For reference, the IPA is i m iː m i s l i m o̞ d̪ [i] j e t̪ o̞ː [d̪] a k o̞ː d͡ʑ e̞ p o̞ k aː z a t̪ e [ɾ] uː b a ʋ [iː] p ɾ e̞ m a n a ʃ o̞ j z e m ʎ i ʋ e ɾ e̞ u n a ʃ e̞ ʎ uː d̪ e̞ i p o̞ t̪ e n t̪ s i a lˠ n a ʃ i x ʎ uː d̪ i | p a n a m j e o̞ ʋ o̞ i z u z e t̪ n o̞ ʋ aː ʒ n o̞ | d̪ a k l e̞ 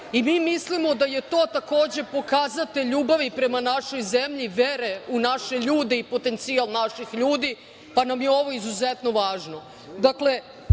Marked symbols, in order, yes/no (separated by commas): no, no, no, no